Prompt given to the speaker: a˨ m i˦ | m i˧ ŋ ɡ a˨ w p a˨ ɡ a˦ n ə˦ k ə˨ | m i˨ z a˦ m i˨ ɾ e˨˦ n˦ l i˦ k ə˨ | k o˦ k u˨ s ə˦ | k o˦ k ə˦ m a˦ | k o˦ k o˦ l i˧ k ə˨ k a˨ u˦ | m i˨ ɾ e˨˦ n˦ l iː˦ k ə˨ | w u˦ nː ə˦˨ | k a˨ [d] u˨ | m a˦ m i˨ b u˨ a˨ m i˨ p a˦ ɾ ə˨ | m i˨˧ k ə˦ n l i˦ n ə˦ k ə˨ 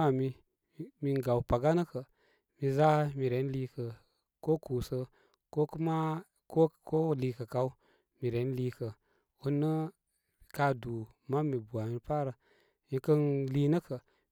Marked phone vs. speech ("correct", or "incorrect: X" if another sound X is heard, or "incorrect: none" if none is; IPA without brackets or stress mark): correct